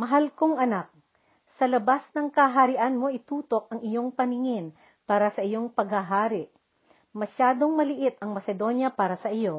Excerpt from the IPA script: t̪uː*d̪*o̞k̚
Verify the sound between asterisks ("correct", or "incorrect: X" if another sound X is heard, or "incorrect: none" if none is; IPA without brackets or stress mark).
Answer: incorrect: t̪